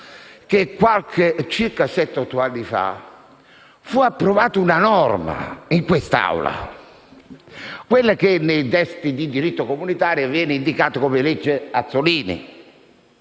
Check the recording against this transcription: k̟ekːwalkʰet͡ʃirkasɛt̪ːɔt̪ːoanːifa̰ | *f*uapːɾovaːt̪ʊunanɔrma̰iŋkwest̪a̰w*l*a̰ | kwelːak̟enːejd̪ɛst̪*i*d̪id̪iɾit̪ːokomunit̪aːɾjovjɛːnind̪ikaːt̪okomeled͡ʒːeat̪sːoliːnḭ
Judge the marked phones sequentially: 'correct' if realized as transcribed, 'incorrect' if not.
correct, correct, correct

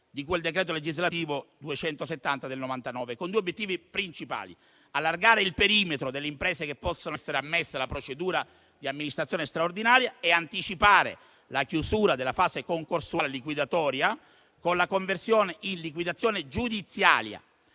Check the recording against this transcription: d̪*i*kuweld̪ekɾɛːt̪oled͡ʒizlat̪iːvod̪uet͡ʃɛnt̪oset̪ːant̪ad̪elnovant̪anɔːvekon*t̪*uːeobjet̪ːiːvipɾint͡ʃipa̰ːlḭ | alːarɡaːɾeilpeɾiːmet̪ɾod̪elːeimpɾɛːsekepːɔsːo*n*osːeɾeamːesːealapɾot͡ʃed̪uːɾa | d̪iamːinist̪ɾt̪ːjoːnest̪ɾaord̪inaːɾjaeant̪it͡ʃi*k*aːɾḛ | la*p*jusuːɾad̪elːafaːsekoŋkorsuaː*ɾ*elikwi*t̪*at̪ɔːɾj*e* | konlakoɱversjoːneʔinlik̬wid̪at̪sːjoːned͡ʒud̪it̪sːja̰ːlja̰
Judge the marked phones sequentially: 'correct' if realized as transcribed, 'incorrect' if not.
correct, incorrect, correct, incorrect, incorrect, incorrect, incorrect, incorrect

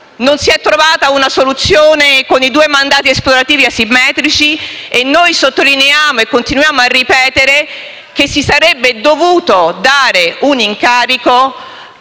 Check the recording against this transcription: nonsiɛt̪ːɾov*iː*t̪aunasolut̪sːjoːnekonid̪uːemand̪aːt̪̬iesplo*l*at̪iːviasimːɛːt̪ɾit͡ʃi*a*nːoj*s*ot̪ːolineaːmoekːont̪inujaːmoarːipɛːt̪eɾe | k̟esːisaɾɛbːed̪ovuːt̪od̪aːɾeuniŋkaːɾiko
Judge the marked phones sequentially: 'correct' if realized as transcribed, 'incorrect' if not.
incorrect, incorrect, incorrect, correct

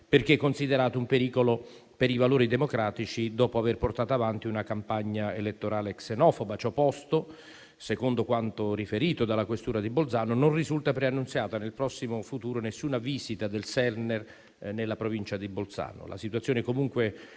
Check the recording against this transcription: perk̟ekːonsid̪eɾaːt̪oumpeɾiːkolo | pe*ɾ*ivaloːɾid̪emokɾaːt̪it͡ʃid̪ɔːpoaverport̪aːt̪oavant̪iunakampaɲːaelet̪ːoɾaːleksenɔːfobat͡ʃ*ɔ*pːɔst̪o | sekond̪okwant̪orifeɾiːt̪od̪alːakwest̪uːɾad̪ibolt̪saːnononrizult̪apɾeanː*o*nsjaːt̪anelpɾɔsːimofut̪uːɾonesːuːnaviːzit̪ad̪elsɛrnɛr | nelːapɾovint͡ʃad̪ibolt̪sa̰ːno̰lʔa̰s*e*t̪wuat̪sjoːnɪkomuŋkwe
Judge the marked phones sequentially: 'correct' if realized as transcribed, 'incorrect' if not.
correct, correct, incorrect, incorrect

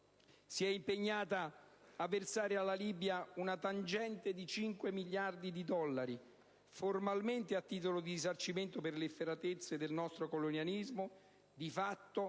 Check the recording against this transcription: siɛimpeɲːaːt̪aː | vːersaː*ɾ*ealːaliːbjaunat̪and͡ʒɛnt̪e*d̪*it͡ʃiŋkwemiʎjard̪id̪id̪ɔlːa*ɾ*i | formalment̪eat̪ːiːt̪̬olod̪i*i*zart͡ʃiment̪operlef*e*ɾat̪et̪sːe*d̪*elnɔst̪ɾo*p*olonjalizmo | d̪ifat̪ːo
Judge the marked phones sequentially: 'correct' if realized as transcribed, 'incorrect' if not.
correct, correct, correct, correct, correct, correct, incorrect

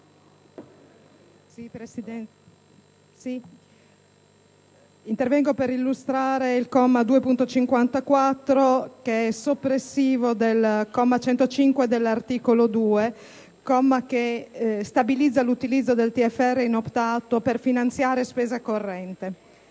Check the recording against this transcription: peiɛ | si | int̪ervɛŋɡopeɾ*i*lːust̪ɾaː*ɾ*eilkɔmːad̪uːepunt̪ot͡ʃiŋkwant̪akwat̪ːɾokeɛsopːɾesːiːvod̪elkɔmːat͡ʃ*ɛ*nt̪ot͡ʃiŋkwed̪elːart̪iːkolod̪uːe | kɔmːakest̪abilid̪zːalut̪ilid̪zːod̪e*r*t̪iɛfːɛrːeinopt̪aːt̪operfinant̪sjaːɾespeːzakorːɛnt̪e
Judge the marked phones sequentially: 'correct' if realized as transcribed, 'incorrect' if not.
correct, correct, correct, incorrect

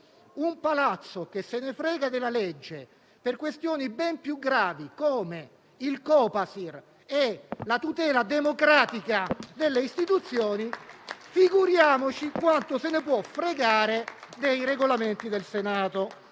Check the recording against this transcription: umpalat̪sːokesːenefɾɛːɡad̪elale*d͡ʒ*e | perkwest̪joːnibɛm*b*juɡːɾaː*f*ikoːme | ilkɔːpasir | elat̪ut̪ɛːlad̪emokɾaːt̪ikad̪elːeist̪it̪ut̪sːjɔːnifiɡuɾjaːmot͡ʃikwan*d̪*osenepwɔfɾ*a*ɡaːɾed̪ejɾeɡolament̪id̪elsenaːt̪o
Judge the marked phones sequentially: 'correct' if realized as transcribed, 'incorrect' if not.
incorrect, incorrect, incorrect, incorrect, incorrect

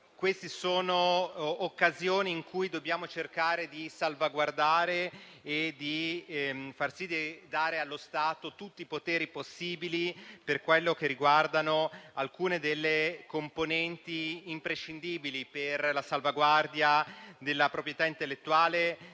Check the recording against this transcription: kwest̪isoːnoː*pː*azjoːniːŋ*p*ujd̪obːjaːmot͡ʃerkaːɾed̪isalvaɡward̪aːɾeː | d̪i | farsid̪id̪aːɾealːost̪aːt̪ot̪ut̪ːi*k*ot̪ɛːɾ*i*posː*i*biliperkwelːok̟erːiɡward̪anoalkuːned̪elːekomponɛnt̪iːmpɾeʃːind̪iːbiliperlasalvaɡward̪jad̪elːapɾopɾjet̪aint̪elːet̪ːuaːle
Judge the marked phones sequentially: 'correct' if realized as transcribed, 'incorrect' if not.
incorrect, incorrect, incorrect, correct, incorrect

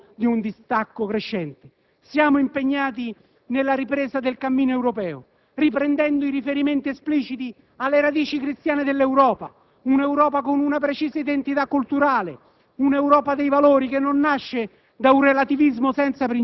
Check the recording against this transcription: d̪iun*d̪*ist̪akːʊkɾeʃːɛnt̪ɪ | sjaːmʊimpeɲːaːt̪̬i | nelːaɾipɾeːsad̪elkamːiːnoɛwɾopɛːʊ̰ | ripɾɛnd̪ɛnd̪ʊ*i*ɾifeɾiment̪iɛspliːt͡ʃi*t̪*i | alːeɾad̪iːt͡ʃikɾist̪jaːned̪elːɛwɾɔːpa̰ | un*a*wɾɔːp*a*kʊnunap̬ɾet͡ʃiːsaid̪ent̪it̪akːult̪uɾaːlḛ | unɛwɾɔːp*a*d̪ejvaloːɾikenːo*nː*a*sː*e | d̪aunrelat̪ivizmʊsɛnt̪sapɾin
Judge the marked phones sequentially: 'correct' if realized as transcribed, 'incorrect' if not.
correct, correct, correct, incorrect, correct, correct, correct, incorrect

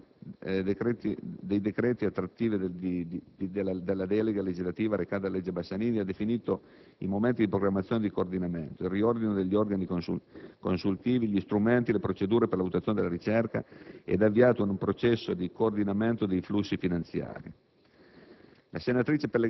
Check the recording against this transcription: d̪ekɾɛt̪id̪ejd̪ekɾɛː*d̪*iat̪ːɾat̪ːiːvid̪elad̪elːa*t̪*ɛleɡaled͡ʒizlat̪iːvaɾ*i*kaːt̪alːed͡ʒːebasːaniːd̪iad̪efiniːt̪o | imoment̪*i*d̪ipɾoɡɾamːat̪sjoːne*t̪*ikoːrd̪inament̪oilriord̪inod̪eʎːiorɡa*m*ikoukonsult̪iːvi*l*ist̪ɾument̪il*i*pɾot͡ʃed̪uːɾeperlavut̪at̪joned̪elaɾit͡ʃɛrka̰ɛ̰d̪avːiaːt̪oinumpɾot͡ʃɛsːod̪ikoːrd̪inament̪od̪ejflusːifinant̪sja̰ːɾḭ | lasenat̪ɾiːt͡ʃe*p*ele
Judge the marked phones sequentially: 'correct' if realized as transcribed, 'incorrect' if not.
incorrect, incorrect, incorrect, correct, incorrect, incorrect, incorrect, incorrect, correct

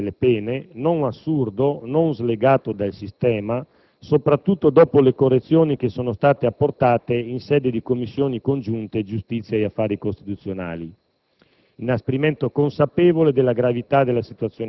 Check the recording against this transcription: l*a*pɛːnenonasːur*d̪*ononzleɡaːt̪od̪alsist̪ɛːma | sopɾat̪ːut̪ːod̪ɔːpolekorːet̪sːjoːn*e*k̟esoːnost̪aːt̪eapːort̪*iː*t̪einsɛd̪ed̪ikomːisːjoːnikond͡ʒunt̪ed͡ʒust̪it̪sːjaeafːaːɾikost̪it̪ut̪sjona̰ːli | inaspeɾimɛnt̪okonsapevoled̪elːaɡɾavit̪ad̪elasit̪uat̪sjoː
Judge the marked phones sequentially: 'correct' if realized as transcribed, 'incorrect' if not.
incorrect, correct, incorrect, incorrect

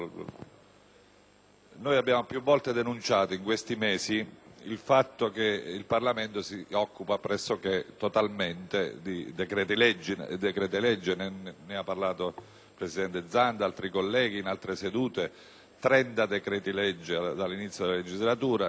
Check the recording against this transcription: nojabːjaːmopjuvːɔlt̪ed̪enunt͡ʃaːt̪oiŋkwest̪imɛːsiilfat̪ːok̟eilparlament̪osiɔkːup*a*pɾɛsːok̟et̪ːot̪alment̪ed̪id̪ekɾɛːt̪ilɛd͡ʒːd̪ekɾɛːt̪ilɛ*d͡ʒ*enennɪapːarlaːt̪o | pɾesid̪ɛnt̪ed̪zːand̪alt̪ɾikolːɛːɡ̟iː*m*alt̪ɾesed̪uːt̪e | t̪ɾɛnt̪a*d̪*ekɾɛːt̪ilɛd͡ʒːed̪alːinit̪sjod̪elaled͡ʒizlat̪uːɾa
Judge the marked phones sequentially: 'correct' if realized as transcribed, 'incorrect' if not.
correct, incorrect, incorrect, correct

